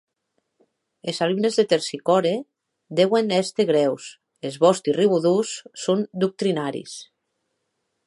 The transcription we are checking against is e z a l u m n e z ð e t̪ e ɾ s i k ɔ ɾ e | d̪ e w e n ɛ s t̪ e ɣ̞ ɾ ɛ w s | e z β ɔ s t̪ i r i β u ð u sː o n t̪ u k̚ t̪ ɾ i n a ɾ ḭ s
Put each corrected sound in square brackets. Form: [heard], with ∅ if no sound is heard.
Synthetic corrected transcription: e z a l u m n e z ð e t̪ e ɾ s i k ɔ ɾ e | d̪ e w e n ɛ s t̪ e ɣ̞ ɾ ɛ w s | e z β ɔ s t̪ i r i β u ð u sː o n [d̪] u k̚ t̪ ɾ i n a ɾ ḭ s